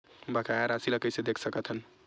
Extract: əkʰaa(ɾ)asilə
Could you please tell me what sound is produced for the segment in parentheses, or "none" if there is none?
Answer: ɾ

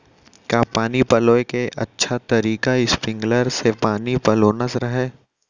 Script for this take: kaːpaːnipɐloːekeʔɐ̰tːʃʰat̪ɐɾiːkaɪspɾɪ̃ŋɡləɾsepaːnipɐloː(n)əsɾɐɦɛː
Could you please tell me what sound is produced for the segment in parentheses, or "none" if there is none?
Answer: n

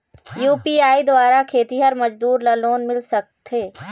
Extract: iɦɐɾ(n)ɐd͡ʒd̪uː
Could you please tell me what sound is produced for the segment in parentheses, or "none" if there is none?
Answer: m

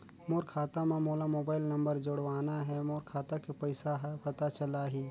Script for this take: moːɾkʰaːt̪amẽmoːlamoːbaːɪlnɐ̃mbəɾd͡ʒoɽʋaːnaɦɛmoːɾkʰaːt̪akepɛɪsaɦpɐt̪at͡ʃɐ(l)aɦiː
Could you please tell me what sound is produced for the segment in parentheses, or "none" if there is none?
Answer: l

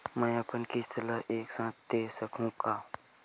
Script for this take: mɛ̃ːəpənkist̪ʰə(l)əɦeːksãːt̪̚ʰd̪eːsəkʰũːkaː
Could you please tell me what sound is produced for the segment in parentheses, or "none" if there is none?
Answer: l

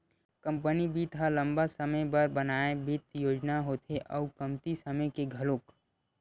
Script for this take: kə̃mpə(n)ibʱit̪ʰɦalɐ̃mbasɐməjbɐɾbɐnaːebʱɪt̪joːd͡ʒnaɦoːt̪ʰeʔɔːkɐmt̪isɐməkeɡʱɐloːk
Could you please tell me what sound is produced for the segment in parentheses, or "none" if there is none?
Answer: n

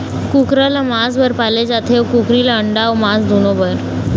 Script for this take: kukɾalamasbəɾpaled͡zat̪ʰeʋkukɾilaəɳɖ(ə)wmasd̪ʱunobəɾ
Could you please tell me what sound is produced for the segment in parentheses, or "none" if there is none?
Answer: a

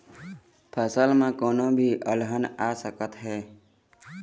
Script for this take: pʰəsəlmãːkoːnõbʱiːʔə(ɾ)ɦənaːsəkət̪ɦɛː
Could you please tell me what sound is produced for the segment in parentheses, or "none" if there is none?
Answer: l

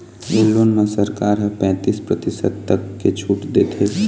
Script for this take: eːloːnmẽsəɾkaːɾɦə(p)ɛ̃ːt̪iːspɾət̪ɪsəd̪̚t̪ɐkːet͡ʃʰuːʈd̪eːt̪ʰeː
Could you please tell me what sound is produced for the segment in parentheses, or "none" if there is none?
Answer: p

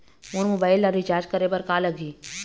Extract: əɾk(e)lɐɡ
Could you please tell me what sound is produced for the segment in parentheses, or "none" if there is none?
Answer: a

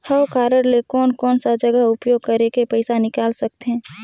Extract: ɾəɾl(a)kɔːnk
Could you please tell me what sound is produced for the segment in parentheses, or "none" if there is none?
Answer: e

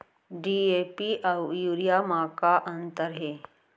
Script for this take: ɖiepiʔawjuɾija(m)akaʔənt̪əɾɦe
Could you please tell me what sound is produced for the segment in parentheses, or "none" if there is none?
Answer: m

